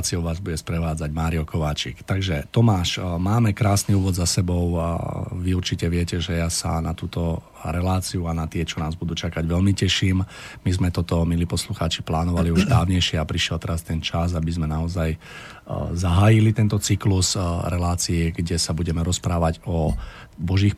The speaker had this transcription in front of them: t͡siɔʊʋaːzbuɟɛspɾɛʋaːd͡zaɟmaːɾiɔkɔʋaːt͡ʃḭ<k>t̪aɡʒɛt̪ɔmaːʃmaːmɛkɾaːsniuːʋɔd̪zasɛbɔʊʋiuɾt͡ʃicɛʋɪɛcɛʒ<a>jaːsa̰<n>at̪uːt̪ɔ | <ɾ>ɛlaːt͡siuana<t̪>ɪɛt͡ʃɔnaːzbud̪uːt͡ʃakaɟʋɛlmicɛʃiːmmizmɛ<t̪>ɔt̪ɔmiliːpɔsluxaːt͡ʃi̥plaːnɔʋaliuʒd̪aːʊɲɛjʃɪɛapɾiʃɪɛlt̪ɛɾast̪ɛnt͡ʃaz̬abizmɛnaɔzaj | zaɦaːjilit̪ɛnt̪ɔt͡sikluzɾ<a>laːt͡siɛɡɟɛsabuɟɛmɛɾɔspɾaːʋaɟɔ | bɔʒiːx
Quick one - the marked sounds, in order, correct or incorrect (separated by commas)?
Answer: correct, incorrect, correct, correct, correct, correct, incorrect